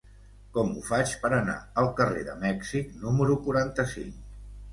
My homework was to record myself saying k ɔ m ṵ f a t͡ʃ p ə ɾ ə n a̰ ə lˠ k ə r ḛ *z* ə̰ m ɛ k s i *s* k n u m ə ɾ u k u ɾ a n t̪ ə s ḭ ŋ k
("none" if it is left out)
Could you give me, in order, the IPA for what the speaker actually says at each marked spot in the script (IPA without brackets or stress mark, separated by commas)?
ð, none